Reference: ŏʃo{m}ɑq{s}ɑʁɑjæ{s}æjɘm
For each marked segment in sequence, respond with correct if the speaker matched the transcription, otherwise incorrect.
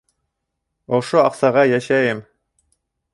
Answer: incorrect, correct, incorrect

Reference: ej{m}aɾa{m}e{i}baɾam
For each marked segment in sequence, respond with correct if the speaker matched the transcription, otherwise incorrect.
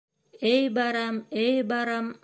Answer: incorrect, correct, incorrect

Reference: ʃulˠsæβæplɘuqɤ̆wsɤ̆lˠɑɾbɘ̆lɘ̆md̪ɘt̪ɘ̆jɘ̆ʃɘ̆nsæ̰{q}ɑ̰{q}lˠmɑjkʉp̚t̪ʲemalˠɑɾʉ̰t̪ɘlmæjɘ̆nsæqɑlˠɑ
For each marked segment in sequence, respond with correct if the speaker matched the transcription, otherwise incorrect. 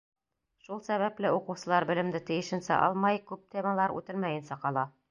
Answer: incorrect, incorrect

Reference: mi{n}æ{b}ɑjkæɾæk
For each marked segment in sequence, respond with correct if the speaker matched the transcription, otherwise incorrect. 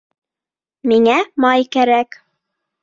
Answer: incorrect, incorrect

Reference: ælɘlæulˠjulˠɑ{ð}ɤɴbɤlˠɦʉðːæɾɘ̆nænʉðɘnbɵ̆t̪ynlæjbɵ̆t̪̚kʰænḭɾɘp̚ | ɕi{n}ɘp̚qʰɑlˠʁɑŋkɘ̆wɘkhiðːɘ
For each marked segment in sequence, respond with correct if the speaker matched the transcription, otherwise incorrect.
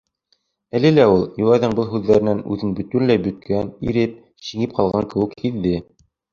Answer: correct, incorrect

